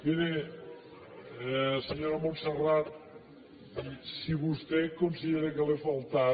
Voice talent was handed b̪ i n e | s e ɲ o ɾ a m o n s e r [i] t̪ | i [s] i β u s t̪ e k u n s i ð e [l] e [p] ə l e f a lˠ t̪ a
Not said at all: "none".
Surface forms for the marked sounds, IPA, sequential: a, s, ɾ, k

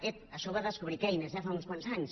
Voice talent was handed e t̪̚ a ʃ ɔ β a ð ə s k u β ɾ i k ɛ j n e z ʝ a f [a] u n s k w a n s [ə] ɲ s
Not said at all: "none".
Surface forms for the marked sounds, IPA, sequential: a, a

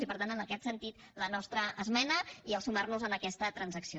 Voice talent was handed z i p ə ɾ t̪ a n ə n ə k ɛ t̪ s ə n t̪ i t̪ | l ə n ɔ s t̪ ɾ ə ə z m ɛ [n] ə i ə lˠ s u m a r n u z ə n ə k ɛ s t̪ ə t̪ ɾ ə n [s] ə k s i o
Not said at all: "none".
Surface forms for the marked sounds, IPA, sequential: n, z

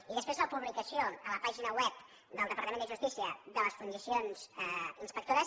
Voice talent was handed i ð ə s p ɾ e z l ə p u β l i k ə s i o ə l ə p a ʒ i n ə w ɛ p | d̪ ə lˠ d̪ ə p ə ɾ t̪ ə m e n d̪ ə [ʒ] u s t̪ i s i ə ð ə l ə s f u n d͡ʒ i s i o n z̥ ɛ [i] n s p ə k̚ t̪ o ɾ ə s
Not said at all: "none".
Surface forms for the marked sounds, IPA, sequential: ʒ, i

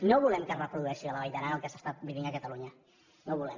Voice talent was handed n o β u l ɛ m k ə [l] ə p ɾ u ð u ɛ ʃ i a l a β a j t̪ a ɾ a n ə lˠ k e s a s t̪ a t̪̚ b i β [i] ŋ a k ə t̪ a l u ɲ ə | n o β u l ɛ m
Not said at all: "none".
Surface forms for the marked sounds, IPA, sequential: r, i

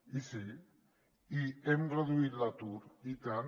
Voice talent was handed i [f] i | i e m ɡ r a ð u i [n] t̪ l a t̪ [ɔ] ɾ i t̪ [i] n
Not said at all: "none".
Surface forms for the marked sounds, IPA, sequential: s, none, u, a

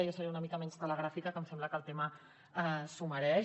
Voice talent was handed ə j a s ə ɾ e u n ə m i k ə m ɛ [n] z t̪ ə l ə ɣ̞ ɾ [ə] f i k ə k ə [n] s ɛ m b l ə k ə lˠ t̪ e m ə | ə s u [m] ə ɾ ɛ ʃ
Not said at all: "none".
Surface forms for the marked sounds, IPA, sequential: n, a, m, m

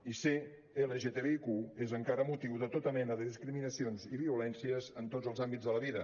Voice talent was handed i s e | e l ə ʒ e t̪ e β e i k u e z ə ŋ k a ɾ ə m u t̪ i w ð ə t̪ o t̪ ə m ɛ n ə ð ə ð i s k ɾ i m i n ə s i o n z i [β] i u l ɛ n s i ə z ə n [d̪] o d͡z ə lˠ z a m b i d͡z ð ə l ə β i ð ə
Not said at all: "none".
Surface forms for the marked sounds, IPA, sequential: β, t̪

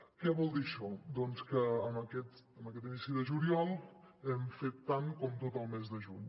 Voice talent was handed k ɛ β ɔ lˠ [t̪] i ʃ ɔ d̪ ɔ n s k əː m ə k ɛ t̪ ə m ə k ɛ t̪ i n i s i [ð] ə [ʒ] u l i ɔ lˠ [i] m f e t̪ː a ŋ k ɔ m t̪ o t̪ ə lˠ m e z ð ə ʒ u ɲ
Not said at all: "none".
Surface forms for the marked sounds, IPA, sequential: d̪, ð, ʒ, ɛ

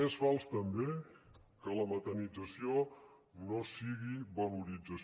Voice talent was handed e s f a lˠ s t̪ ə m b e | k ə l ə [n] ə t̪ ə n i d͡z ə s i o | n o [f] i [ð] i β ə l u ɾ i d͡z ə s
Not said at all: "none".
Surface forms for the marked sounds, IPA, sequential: m, s, ɣ

